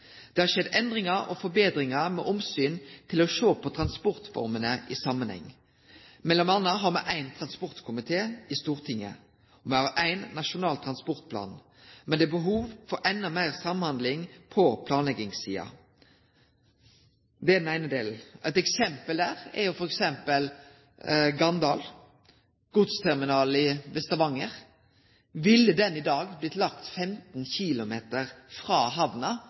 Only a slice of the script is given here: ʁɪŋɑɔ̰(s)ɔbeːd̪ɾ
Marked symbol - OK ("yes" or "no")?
no